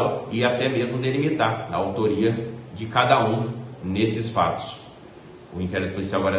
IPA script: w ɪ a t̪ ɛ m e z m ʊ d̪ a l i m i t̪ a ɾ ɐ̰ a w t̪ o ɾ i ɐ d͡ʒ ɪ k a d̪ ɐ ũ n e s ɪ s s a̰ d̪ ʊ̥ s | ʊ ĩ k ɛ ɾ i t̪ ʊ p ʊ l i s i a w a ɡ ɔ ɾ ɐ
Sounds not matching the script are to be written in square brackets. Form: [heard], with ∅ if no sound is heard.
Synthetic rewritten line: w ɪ a t̪ ɛ m e z m ʊ d̪ [e] l i m i t̪ a ɾ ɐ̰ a w t̪ o ɾ i ɐ d͡ʒ ɪ k a d̪ ɐ ũ n e s ɪ s [f] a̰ [t̪] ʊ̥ s | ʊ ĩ k ɛ ɾ i t̪ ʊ p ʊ l i s i a w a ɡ ɔ ɾ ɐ